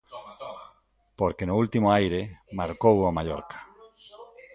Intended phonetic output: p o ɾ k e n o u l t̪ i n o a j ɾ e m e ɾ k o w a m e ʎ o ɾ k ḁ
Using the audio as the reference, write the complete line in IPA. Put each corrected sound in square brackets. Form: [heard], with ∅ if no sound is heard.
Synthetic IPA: p o ɾ k e n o u l t̪ i [m] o a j ɾ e m [a] ɾ k o w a m [a] ʎ o ɾ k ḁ

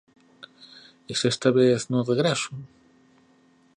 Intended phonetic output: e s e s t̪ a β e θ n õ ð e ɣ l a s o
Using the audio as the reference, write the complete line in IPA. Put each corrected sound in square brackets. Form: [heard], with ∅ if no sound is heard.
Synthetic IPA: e s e s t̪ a β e θ n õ ð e ɣ [ɾ] a s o

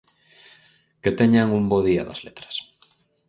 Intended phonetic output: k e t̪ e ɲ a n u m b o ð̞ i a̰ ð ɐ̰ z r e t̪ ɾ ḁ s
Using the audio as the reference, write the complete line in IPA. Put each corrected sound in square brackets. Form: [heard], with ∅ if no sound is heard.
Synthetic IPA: k e t̪ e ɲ a [ŋ] u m b o ð̞ i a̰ ð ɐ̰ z [l] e t̪ ɾ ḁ s

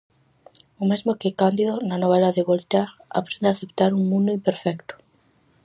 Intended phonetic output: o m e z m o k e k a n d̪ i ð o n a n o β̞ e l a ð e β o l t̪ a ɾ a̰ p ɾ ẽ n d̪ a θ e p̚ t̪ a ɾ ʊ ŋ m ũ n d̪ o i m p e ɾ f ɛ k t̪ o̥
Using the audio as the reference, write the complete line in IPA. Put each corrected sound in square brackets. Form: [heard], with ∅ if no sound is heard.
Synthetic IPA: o m e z m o k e k a n d̪ i ð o n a n o β̞ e l a ð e β o l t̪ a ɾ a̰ p ɾ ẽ n d̪ a θ e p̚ t̪ a ɾ [u] ŋ m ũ n d̪ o i m p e ɾ f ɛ k t̪ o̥

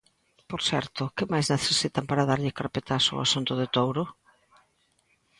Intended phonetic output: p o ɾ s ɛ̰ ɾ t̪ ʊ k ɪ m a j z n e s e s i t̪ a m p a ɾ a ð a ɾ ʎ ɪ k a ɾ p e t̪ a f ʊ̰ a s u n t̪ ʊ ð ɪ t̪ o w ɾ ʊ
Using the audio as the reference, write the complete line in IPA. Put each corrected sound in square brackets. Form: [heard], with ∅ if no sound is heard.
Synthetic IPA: p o ɾ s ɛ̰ ɾ t̪ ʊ k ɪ m a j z n e [θ] e s i t̪ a m p a ɾ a ð a ɾ ʎ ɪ k a ɾ p e t̪ a [s] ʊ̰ a s u n t̪ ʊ ð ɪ t̪ o w ɾ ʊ

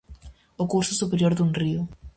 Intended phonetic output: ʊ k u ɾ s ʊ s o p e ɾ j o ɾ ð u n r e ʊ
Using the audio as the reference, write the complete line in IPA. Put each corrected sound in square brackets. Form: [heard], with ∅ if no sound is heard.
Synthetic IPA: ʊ k u ɾ s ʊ s [u] p e ɾ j o ɾ ð u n r [i] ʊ

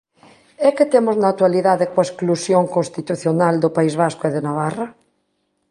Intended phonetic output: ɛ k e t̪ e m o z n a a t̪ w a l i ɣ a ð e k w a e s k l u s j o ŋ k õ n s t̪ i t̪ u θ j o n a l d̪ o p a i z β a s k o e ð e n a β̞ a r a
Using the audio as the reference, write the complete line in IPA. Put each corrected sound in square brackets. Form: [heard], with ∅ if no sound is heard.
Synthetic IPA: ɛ k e t̪ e m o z n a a t̪ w a l i [ð] a ð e k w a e s k l u s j o ŋ k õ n s t̪ i t̪ u θ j o n a l d̪ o p a i z β a s k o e ð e n a β̞ a r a

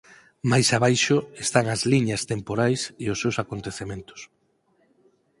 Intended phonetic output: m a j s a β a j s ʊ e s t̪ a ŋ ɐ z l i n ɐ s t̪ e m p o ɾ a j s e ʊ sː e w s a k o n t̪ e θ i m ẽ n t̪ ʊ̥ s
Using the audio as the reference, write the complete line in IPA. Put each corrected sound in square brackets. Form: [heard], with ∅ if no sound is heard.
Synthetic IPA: m a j s a β a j [ʃ] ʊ e s t̪ a ŋ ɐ z l i [ɲ] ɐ s t̪ e m p o ɾ a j s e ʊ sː e w s a k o n t̪ e θ [e] m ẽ n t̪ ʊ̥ s

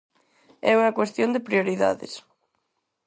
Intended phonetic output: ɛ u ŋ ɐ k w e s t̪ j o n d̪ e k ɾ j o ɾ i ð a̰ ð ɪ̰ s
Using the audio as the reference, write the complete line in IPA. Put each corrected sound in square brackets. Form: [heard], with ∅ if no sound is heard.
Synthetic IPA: ɛ u ŋ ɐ k w e s t̪ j o n d̪ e [p] ɾ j o ɾ i ð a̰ ð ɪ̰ s

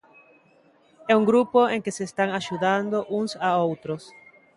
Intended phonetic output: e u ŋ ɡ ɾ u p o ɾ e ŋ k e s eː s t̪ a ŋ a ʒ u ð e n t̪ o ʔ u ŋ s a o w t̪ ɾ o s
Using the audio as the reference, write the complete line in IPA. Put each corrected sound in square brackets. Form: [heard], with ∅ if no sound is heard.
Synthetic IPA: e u ŋ ɡ ɾ u p o [∅] e ŋ k e s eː s t̪ a ŋ a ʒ u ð [a] n [d̪] o ʔ u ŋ s a o w t̪ ɾ o s

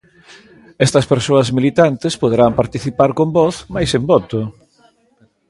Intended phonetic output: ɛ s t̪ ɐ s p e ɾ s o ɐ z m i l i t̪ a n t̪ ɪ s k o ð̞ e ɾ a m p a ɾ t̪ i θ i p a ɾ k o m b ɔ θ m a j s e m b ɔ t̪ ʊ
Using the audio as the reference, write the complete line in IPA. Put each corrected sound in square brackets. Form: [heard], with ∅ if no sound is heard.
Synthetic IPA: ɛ s t̪ ɐ s p e ɾ s o ɐ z m i l i t̪ a n t̪ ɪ s [p] o ð̞ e ɾ a m p a ɾ t̪ i θ i p a ɾ k o m b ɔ θ m a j s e m b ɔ t̪ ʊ

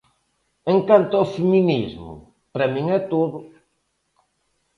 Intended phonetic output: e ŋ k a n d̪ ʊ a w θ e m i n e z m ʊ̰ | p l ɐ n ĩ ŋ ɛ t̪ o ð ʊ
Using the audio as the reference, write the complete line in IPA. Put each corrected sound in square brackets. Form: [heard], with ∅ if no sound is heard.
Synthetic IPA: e ŋ k a n [t̪] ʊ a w [f] e m i n [i] z m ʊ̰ | p [ɾ] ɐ [m] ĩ ŋ ɛ t̪ o ð ʊ

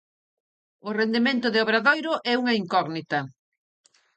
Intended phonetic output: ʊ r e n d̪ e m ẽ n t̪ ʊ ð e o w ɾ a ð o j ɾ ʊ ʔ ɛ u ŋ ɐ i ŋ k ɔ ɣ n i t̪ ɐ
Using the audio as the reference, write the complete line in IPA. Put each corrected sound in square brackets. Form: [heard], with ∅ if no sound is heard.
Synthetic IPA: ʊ r e n d̪ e m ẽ n t̪ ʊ ð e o [β] ɾ a ð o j ɾ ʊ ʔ ɛ u ŋ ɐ i ŋ k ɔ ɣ n i t̪ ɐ

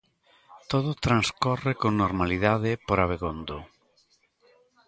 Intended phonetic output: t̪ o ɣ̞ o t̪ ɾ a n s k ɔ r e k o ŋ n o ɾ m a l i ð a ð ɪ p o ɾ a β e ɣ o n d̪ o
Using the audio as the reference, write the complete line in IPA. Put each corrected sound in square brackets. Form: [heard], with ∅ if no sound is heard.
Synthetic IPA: t̪ o [ð̞] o t̪ ɾ a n s k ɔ r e k o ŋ n o ɾ m a l i ð a ð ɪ p o ɾ a β e ɣ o n d̪ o

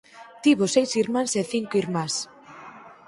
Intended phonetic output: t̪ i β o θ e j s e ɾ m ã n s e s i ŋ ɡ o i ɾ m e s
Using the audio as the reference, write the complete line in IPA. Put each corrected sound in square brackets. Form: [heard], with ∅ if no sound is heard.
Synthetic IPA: t̪ i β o [s] e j s [i] ɾ m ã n s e [θ] i ŋ [k] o i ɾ m [a] s

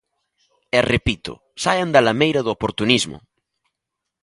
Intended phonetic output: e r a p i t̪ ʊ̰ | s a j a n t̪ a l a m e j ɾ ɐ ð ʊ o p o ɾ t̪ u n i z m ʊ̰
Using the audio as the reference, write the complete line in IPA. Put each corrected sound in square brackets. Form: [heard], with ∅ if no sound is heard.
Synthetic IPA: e r [e] p i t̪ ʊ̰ | s a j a n [d̪] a l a m e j ɾ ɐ ð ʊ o p o ɾ t̪ u n i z m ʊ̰

